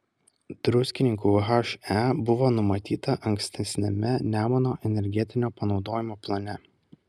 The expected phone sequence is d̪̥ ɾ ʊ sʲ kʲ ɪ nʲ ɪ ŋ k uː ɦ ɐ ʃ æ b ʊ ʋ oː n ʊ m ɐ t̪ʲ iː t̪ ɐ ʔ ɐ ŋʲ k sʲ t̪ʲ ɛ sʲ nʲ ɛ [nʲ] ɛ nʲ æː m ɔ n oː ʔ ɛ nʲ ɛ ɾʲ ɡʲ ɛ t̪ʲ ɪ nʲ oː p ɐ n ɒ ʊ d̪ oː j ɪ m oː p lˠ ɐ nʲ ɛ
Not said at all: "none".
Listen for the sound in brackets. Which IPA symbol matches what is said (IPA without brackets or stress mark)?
mʲ